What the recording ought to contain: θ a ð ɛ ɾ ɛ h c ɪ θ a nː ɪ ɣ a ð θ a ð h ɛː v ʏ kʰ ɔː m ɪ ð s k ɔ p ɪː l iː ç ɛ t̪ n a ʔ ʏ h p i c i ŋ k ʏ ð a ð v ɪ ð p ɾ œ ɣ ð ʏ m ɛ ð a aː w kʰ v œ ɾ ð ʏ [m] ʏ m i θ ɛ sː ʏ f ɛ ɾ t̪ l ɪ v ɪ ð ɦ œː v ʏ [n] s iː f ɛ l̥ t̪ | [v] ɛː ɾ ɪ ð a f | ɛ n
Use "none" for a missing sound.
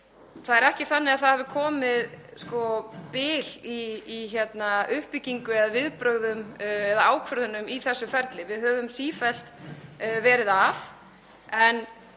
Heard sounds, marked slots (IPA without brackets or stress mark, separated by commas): n, m, v